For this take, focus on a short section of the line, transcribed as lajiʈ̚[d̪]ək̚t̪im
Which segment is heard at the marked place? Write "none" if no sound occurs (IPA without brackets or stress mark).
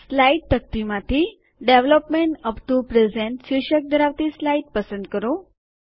t̪